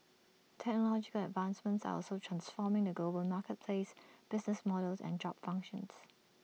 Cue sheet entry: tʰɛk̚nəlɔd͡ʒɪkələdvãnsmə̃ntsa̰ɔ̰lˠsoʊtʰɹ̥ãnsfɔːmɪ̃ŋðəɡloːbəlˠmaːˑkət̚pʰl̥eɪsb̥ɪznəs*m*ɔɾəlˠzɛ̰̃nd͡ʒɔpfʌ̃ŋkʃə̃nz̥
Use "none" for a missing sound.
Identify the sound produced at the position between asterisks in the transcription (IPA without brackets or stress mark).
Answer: m